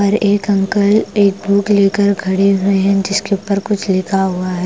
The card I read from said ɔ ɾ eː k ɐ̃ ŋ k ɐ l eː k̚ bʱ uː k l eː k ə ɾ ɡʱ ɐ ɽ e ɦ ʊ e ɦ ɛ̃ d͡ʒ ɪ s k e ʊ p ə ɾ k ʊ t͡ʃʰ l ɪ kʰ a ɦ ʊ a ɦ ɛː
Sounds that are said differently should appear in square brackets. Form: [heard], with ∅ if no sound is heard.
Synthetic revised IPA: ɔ ɾ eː k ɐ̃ ŋ k [ə] l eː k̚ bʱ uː k l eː k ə ɾ ɡʱ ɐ ɽ e ɦ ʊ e ɦ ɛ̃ d͡ʒ ɪ s k e ʊ p ə ɾ k ʊ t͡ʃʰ l ɪ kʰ a ɦ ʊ a ɦ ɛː